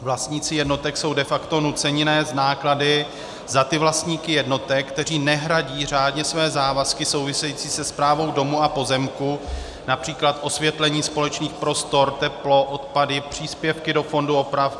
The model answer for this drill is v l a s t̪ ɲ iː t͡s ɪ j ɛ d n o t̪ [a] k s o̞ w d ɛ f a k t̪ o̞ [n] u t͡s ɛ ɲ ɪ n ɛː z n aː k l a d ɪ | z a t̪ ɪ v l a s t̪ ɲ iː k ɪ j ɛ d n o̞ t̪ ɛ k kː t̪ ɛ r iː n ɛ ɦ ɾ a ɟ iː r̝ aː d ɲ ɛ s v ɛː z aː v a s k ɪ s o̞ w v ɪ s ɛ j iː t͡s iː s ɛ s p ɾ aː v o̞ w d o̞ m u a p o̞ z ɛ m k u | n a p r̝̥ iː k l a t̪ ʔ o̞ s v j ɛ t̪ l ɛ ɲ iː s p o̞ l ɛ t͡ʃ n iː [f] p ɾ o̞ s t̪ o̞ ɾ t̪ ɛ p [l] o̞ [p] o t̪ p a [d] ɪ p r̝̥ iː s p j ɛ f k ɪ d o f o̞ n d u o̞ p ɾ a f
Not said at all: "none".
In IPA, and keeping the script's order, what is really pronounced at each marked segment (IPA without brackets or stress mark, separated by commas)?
ɛ, n, x, l, ʔ, d